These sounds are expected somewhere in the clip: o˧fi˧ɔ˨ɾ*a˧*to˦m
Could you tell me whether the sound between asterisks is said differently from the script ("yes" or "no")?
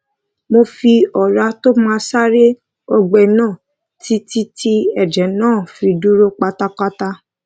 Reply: no